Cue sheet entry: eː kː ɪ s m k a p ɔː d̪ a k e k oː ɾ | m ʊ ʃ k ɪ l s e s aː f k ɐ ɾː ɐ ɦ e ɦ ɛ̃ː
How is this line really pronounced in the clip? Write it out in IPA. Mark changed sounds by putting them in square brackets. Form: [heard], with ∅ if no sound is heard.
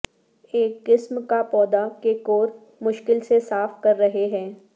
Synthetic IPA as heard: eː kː ɪ s m k a p ɔː d̪ a k e k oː ɾ | m ʊ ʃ k ɪ l s e s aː f k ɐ ɾː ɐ ɦ e ɦ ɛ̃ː